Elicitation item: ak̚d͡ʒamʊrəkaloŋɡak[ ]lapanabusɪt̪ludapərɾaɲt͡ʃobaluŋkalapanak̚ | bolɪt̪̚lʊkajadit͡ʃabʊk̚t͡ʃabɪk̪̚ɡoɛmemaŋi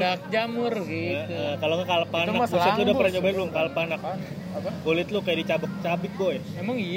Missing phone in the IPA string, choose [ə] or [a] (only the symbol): a